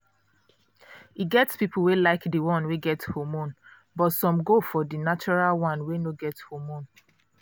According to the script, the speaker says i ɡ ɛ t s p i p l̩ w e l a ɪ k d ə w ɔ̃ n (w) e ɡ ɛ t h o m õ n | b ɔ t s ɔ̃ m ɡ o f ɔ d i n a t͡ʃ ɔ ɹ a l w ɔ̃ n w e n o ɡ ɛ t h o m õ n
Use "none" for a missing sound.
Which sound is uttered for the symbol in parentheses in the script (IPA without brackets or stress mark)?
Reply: w